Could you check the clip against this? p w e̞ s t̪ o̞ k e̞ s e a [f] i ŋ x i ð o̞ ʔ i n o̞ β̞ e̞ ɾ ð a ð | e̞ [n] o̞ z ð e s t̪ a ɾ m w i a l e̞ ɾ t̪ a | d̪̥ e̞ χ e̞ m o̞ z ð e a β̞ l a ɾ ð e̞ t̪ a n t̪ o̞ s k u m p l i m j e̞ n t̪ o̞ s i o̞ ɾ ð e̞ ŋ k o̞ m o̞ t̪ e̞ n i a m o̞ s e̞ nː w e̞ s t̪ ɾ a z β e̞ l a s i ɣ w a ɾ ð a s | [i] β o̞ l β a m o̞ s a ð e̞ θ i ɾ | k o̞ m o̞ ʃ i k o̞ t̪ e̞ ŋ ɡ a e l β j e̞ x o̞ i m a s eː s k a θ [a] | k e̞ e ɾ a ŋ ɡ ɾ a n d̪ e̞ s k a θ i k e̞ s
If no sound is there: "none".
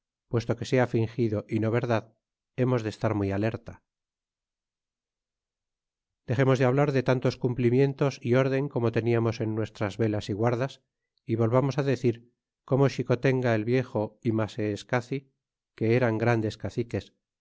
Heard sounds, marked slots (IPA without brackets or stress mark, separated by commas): f, m, i, i